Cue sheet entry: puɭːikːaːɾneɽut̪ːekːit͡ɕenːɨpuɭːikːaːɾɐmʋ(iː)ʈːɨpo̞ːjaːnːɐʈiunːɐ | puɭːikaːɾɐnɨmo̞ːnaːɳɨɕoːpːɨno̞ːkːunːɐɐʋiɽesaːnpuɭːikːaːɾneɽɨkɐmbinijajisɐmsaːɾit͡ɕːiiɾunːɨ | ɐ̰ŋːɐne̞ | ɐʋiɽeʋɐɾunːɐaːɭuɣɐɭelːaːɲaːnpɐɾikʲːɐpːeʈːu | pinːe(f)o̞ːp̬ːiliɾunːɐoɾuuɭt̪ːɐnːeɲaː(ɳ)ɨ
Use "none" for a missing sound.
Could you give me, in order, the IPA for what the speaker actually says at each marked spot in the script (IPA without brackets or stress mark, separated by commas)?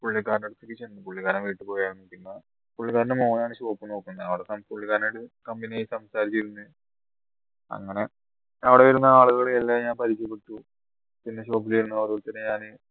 iː, ɕ, n